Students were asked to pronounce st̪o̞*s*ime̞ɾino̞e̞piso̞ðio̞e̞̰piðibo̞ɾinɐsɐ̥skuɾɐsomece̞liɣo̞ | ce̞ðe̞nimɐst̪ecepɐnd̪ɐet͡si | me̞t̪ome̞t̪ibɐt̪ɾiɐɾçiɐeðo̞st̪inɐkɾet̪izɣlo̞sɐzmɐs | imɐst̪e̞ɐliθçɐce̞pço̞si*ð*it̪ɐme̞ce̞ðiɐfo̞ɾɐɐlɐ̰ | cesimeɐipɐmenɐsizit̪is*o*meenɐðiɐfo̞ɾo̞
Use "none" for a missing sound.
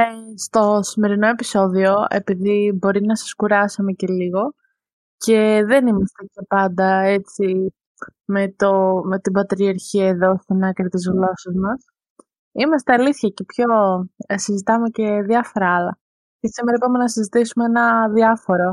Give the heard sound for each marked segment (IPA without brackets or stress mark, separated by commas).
s, z, u